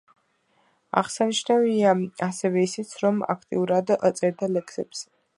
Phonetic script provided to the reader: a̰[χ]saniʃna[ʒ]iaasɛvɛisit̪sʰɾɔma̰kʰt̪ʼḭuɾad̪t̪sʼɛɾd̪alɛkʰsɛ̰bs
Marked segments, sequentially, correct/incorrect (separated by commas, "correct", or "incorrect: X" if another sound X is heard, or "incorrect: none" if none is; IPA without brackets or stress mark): incorrect: ʁ, incorrect: v